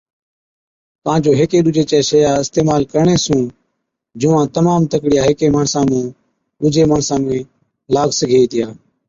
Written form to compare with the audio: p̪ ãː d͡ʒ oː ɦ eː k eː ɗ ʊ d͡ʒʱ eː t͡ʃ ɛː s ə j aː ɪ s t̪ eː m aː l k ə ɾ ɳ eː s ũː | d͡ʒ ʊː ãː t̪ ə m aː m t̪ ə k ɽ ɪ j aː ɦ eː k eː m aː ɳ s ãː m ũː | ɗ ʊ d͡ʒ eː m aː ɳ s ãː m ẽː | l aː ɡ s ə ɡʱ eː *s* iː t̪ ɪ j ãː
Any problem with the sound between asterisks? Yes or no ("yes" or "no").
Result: yes